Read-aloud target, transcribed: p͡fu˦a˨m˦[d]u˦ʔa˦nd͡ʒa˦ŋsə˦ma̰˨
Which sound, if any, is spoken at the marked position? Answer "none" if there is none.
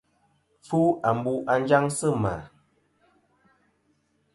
b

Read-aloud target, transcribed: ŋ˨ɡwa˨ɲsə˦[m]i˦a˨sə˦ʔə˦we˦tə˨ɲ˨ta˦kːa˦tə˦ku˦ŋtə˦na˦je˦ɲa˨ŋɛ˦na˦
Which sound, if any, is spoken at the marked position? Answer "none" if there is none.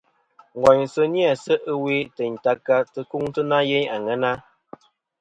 n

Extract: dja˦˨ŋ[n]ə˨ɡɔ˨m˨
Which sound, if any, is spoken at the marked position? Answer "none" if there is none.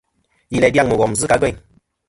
m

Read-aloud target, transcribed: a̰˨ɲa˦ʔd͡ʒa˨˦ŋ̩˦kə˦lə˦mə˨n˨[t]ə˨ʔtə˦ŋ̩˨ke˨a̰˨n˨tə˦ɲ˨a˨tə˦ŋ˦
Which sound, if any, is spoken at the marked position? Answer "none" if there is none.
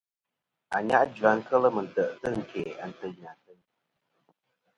t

